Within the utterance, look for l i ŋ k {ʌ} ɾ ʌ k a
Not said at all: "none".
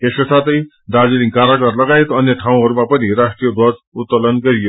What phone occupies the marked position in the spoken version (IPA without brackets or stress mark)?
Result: a